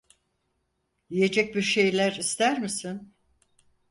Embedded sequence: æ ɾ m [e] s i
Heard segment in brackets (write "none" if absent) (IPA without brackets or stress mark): i